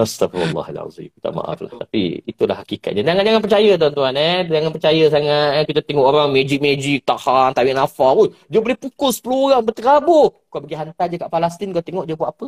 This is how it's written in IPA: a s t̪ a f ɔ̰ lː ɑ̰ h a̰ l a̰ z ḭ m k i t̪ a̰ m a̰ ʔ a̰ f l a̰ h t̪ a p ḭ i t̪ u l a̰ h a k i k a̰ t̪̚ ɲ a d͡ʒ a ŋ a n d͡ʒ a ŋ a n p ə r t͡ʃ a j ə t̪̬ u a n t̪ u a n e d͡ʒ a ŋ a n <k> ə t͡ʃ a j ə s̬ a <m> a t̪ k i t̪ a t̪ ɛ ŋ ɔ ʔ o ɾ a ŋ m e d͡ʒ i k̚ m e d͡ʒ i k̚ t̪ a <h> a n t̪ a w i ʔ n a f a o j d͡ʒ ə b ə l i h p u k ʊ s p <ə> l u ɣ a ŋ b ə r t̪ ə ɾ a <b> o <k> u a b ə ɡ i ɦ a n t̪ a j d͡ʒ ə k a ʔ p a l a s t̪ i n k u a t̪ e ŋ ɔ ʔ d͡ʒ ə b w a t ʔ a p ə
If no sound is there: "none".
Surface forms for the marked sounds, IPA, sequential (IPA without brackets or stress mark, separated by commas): p, ŋ, h, ə, b, k